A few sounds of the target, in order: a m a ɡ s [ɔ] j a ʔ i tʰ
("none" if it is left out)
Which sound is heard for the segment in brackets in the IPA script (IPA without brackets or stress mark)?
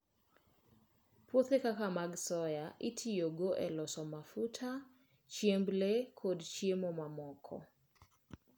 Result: ɔ